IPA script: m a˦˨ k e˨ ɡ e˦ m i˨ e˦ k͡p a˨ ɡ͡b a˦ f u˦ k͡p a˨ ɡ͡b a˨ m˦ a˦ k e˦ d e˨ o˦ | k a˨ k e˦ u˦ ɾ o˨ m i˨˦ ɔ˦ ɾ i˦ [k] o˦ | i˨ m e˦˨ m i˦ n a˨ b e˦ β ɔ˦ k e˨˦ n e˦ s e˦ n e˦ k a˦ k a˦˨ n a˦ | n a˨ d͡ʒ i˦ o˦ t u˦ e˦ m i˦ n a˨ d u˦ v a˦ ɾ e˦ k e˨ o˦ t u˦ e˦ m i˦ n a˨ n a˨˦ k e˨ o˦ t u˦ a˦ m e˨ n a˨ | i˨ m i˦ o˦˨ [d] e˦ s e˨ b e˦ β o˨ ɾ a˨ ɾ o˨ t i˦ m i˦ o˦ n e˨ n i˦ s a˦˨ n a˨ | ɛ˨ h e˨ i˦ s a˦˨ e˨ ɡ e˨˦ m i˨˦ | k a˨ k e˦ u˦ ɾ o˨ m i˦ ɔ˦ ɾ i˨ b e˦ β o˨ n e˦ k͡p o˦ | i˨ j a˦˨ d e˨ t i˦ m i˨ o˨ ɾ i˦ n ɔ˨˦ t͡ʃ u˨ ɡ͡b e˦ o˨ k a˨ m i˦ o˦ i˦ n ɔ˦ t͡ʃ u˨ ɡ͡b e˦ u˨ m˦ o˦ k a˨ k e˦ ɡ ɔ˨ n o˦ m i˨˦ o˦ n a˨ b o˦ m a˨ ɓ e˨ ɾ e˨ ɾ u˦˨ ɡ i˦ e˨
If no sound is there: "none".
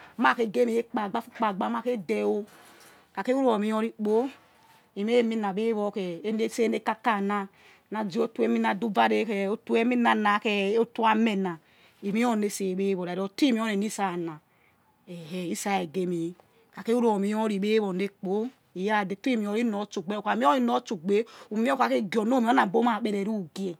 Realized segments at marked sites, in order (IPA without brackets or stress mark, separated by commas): k͡p, n